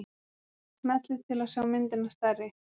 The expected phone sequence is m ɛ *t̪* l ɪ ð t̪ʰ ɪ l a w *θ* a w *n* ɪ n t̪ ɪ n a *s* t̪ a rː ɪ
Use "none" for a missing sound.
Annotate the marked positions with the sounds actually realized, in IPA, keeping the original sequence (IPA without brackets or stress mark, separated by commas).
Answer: t̪, s, m, s